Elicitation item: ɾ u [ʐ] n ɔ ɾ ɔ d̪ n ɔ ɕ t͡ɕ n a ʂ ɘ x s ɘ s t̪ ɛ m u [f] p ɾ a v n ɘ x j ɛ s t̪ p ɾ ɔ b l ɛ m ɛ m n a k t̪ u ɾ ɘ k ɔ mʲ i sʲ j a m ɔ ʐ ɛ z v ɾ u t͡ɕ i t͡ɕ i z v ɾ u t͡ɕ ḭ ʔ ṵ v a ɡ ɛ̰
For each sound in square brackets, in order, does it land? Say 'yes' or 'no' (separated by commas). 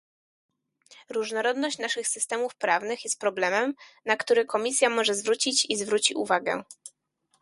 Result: yes, yes